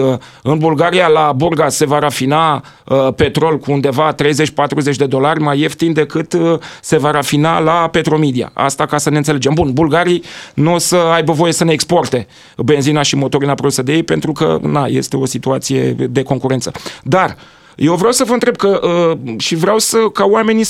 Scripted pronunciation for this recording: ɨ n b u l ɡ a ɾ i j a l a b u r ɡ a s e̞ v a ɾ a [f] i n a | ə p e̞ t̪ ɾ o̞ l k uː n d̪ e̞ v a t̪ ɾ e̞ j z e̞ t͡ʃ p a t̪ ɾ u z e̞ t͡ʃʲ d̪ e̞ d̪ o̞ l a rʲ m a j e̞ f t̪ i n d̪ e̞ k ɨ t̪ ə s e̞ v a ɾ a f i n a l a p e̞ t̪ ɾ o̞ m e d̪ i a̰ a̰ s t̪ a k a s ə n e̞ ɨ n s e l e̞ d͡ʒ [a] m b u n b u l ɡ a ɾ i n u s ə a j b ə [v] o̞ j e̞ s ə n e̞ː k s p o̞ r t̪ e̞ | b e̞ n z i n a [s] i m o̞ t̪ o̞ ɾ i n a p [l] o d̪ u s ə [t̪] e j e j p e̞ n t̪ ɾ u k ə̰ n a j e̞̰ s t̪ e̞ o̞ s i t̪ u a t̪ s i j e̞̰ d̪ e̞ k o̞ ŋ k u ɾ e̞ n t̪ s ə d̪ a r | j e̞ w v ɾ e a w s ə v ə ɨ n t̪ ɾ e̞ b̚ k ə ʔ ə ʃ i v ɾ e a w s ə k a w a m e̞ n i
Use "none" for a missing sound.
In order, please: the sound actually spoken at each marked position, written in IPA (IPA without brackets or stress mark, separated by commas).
f, e, v, ʃ, ɾ, d̪